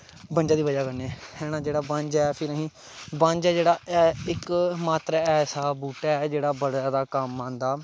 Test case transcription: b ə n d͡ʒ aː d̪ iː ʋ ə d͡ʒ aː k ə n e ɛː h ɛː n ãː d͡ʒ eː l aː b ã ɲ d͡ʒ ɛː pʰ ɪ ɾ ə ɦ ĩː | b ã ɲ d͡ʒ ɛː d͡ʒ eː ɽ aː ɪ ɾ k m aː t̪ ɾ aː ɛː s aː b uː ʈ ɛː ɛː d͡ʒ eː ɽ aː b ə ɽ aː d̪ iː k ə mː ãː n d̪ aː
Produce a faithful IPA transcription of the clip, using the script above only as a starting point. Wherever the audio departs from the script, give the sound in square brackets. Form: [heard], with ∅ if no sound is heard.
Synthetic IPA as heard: b ə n d͡ʒ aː d̪ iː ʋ ə d͡ʒ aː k ə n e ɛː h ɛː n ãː d͡ʒ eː [ɽ] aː b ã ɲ d͡ʒ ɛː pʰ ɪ ɾ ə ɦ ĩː | b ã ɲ d͡ʒ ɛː d͡ʒ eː ɽ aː ɪ [∅] k m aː t̪ ɾ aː ɛː s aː b uː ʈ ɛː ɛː d͡ʒ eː ɽ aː b ə ɽ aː d̪ [aː] k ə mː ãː n d̪ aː

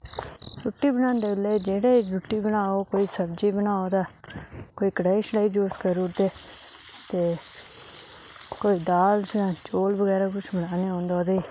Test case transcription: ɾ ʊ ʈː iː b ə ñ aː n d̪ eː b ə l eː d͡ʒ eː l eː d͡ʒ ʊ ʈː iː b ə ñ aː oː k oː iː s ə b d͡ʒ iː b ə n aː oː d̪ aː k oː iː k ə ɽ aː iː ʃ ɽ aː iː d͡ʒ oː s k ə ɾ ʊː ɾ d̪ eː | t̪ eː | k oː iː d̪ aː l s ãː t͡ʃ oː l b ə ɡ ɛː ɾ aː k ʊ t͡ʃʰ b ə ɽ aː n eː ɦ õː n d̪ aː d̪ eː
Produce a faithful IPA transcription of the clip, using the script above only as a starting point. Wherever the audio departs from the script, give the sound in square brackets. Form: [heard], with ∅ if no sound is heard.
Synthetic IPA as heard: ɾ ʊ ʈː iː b ə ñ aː n d̪ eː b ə l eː d͡ʒ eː [ɽ] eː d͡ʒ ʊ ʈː iː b ə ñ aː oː k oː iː s ə b d͡ʒ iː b ə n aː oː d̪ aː k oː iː k ə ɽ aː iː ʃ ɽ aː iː d͡ʒ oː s k ə ɾ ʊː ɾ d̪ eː | t̪ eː | k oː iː d̪ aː l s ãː t͡ʃ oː l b ə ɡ ɛː ɾ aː k ʊ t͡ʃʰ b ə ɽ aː n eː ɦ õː n d̪ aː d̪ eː

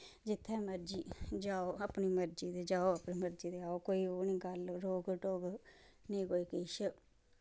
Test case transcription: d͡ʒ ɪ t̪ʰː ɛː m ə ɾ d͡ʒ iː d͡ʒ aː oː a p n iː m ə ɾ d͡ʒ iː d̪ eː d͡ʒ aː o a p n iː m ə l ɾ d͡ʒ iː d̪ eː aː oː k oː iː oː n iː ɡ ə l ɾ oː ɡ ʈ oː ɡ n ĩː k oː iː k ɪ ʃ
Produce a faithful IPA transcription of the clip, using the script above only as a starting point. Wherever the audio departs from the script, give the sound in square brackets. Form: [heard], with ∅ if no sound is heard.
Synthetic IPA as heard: d͡ʒ ɪ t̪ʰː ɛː m ə ɾ d͡ʒ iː d͡ʒ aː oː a p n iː m ə ɾ d͡ʒ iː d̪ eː d͡ʒ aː o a p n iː m ə [∅] ɾ d͡ʒ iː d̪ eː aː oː k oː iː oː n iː ɡ ə l ɾ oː ɡ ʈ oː ɡ n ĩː k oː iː k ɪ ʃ

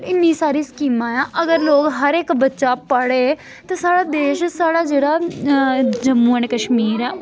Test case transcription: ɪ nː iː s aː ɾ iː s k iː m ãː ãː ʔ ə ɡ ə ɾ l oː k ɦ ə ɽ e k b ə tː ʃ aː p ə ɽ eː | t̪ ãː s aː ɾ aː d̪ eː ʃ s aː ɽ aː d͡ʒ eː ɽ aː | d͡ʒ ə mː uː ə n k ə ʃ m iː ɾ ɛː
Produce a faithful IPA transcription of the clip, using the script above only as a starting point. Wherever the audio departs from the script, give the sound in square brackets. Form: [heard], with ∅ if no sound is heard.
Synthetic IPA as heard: ɪ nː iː s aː ɾ iː s k iː m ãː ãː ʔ ə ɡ ə ɾ l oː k ɦ ə [ɾ] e k b ə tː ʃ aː p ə ɽ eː | t̪ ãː s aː [ɽ] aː d̪ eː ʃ s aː ɽ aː d͡ʒ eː ɽ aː | d͡ʒ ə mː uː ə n k ə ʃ m iː ɾ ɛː

